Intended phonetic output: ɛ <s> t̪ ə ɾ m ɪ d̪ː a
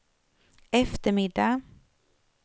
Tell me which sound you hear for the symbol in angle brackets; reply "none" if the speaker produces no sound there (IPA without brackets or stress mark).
f